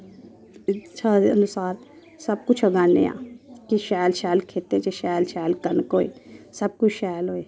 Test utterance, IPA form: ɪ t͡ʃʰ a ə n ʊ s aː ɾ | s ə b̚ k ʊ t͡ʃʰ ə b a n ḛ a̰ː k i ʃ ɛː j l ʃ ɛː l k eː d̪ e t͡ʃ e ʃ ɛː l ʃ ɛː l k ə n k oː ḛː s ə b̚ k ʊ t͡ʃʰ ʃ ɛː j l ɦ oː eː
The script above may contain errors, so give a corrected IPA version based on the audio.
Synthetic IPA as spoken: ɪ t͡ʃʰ a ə n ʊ s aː ɾ | s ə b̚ k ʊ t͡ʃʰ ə ɡ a n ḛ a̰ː k i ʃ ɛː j l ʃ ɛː l kʰ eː t̪ e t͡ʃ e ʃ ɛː l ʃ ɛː l k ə n k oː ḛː s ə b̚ k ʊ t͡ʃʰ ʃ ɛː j l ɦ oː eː